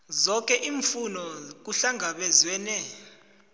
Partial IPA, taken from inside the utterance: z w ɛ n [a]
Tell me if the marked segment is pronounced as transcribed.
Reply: no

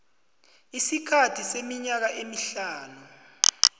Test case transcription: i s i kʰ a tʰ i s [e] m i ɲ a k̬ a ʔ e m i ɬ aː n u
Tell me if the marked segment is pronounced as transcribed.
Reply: yes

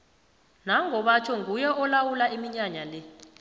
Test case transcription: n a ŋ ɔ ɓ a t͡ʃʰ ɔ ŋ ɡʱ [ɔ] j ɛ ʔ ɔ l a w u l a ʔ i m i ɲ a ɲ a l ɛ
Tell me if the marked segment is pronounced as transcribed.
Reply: no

